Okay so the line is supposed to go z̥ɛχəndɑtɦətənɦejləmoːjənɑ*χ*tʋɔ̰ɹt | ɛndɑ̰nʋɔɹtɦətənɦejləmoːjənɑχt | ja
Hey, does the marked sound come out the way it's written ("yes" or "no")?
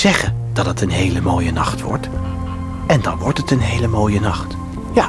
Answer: yes